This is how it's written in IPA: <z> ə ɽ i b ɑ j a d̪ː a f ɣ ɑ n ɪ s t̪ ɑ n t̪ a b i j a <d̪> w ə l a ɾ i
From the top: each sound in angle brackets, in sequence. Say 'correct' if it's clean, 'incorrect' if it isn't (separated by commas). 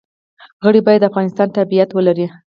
incorrect, incorrect